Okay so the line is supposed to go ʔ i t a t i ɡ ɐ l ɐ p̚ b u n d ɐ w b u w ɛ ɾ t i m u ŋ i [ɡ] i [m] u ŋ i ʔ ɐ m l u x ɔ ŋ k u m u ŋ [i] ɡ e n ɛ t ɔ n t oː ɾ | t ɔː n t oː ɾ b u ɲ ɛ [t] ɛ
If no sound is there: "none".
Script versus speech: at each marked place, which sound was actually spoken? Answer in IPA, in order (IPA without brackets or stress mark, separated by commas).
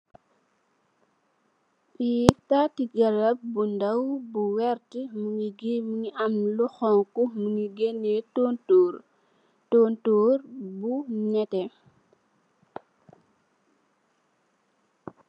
ɡ, m, i, t